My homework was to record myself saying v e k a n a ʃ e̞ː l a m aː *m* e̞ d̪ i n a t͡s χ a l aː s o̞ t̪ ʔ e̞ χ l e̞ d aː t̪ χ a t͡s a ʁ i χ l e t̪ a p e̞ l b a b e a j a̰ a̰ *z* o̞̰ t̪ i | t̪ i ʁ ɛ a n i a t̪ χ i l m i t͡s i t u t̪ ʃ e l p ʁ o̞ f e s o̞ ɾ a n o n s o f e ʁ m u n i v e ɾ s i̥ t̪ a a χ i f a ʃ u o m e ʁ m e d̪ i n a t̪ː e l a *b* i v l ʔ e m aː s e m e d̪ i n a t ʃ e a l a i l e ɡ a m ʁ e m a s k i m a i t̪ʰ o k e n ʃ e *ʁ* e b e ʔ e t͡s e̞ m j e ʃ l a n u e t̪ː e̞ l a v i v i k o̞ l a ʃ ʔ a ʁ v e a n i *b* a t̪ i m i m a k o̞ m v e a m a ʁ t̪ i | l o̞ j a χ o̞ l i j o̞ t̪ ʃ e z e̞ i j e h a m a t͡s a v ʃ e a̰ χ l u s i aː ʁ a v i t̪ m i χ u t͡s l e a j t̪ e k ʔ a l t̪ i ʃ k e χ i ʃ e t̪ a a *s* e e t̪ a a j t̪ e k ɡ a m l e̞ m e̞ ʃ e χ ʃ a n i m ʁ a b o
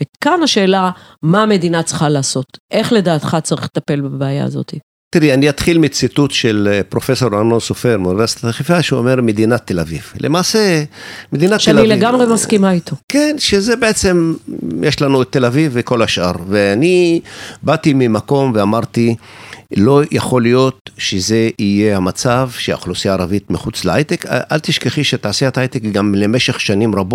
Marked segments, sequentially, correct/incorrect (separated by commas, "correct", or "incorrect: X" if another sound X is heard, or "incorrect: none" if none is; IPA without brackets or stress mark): correct, correct, incorrect: v, incorrect: z, correct, correct